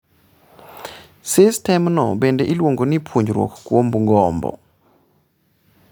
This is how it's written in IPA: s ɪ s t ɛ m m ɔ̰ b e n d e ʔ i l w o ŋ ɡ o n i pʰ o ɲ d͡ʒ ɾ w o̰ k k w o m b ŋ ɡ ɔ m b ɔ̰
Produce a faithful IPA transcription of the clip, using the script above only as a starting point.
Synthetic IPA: s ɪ s t ɛ m n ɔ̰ b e n d e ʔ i l w o ŋ ɡ o n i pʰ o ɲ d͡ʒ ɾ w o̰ k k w o m b ŋ ɡ ɔ m b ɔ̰